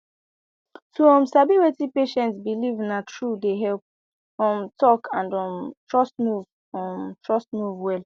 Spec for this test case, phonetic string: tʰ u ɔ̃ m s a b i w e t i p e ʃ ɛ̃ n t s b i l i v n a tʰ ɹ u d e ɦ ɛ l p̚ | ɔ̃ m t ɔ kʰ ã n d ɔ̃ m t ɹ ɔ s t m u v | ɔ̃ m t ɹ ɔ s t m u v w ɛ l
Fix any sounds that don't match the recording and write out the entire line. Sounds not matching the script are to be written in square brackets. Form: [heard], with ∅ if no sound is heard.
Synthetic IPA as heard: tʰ u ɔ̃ m s a b i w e t i p e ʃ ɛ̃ n t s b i l i v n a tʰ ɹ u d e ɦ ɛ l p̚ | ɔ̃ m t ɔ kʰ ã n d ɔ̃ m t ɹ ɔ s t m u v | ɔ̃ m t ɹ ɔ s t m u v w ɛ l